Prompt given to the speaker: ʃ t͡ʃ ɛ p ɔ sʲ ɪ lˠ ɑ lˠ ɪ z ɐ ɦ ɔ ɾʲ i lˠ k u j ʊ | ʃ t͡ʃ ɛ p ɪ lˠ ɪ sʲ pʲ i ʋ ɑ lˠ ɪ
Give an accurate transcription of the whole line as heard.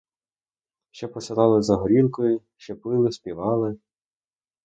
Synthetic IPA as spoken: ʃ t͡ʃ ɛ p ɔ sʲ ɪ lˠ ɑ lˠ ɪ z ɐ ɦ ɔ ɾʲ i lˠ k ɔ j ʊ | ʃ t͡ʃ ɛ p ɪ lˠ ɪ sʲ pʲ i ʋ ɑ lˠ ɪ